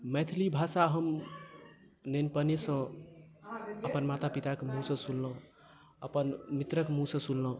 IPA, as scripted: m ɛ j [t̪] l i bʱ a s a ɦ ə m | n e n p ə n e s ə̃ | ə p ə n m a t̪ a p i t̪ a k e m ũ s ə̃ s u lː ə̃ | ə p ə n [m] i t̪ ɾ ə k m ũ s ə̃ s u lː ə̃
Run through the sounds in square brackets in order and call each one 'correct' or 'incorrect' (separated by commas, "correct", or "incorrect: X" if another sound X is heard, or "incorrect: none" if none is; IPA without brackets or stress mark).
incorrect: t̪ʰ, correct